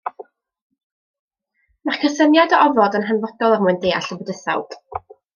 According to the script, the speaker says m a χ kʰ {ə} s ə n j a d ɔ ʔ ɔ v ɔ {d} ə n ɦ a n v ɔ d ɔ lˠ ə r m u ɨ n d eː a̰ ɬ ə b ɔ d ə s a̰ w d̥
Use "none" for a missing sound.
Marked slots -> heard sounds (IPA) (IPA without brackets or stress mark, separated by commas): ə, d